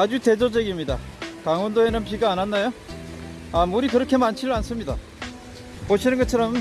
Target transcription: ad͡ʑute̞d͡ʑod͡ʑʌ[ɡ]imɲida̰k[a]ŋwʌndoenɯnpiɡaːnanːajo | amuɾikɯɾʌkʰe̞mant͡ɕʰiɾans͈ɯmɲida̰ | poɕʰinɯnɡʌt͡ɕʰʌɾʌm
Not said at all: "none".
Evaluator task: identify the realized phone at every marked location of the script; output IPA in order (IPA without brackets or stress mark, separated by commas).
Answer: ɡ, a